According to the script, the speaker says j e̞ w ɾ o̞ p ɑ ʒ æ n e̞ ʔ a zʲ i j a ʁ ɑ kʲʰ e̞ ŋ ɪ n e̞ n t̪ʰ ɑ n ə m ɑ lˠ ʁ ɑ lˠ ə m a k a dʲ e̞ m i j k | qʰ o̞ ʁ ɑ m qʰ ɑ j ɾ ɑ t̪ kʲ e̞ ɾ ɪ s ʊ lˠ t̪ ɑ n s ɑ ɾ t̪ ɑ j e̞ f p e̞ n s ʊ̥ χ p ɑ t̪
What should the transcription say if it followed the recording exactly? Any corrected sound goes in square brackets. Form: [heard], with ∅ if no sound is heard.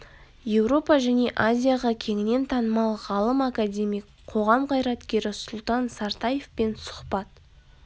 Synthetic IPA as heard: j e̞ w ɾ o̞ p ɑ ʒ æ n e̞ ʔ a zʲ i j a ʁ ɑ kʲʰ e̞ ŋ ɪ n e̞ n t̪ʰ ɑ n ə m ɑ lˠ ʁ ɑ lˠ ə m a k a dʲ e̞ m i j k | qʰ o̞ ʁ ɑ m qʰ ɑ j ɾ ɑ t̪ kʲ e̞ ɾ ɪ s ʊ lˠ t̪ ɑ n s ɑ ɾ t̪ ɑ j e̞ f p e̞ n s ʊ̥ χ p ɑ t̪